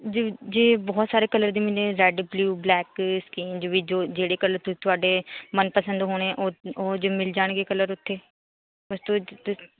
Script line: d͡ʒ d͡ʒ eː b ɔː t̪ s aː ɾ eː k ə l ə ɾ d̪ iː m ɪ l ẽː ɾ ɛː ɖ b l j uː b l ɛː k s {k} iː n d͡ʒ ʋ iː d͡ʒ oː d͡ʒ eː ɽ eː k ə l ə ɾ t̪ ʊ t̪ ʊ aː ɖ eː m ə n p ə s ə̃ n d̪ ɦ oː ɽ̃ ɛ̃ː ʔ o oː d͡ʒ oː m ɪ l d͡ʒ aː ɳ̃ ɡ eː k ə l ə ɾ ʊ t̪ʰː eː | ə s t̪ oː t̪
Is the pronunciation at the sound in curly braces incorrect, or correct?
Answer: correct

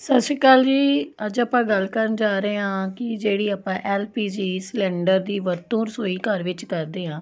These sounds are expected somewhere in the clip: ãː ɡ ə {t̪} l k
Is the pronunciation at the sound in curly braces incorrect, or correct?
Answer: incorrect: none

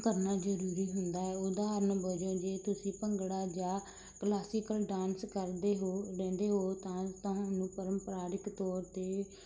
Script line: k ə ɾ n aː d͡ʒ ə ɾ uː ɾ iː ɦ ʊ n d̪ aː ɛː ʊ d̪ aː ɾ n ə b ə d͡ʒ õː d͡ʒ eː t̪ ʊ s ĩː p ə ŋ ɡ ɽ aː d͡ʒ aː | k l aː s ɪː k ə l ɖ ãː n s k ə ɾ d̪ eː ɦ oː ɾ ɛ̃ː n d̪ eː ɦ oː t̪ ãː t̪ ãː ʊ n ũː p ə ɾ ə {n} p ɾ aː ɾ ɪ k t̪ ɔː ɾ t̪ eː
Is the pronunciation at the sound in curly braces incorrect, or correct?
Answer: incorrect: m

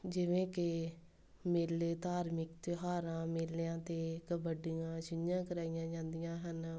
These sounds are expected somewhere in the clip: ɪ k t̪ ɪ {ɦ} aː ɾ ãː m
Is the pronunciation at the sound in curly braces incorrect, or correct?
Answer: correct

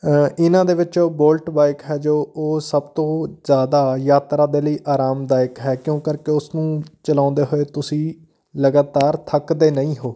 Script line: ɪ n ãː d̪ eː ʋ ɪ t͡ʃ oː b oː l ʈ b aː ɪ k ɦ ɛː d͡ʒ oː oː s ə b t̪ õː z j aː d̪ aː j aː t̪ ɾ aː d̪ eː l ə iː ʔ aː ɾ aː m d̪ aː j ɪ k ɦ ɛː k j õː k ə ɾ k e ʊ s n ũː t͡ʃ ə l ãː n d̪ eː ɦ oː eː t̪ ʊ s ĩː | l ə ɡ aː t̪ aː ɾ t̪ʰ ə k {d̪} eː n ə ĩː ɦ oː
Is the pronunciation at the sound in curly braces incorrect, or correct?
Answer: correct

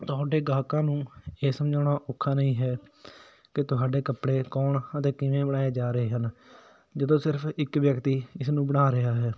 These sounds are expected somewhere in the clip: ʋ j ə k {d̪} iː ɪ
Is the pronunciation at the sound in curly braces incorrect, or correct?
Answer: incorrect: t̪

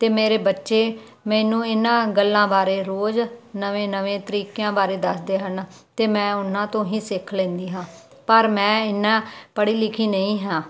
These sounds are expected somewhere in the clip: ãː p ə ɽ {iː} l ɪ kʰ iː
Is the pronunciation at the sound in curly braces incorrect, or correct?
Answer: correct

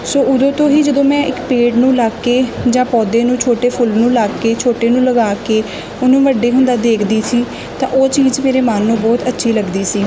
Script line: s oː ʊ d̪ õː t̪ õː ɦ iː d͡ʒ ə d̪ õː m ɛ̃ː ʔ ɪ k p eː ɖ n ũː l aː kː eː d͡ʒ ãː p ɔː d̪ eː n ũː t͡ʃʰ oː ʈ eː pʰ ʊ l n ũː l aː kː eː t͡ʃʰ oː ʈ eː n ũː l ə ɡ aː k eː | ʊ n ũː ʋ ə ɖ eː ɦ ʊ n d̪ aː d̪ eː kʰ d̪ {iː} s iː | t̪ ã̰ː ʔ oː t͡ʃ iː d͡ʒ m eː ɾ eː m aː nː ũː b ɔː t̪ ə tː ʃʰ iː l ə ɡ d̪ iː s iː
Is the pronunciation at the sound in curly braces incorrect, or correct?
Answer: correct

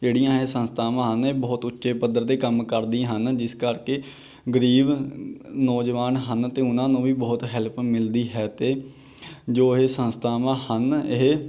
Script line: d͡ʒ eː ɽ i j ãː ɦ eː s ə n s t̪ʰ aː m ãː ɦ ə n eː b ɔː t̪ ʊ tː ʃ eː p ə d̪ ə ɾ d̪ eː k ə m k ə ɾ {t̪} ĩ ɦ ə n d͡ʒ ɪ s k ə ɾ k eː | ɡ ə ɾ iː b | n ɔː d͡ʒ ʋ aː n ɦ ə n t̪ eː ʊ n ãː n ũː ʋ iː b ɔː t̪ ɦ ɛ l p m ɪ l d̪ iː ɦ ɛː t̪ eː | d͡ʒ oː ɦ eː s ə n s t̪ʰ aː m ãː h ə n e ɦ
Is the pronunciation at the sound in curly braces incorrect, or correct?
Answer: incorrect: d̪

